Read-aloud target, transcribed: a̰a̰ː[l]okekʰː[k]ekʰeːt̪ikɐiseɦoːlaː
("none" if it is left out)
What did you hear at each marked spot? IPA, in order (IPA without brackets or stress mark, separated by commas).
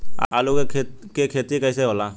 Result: l, k